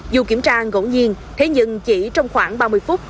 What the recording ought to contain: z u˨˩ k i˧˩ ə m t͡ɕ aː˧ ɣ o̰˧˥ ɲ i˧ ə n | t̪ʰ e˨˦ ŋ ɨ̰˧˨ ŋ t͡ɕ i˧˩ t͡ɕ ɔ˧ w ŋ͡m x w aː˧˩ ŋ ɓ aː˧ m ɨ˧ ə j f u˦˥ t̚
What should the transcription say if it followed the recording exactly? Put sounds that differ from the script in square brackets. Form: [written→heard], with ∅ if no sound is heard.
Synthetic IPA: z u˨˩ k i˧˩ ə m t͡ɕ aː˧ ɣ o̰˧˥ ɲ i˧ ə n | t̪ʰ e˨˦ [ŋ→ɲ] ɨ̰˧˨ ŋ t͡ɕ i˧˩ t͡ɕ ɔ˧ w ŋ͡m x w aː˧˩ ŋ ɓ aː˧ m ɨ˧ ə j f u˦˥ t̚